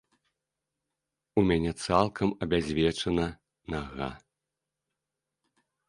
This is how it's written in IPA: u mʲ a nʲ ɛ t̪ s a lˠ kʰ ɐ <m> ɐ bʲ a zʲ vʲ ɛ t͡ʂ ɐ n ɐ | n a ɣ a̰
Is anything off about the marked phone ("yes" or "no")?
no